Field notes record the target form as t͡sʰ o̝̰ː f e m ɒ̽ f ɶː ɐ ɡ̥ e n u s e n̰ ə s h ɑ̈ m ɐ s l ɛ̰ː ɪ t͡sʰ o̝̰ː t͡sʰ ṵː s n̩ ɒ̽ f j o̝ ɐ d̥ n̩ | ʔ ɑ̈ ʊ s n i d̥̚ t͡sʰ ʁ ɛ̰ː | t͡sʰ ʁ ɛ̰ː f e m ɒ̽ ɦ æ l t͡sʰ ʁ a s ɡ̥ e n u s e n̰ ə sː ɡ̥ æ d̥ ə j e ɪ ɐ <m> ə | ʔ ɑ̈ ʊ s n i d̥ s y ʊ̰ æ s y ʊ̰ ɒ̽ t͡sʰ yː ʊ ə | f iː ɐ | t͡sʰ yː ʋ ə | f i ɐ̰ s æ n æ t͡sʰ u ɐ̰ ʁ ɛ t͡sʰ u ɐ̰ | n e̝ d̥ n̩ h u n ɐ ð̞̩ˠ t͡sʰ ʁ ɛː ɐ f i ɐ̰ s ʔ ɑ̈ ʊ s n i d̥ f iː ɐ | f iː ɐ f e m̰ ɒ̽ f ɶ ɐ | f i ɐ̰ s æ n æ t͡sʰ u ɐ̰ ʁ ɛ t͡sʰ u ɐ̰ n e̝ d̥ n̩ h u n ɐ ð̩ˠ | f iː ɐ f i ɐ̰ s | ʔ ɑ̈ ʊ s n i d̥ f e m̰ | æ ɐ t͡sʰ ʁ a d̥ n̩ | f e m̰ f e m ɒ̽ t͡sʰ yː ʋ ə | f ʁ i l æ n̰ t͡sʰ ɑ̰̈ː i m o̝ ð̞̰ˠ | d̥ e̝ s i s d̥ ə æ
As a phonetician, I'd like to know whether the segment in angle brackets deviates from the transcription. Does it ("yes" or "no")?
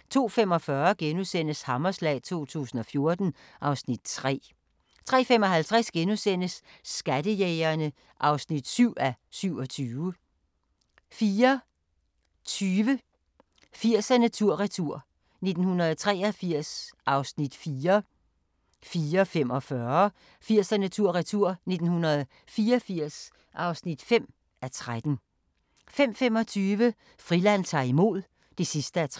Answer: yes